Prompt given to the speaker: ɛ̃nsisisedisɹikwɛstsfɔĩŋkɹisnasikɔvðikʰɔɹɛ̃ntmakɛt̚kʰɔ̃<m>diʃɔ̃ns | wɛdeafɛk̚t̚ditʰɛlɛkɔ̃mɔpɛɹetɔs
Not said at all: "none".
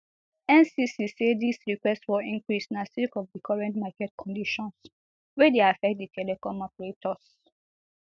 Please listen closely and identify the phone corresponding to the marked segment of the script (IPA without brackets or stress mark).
n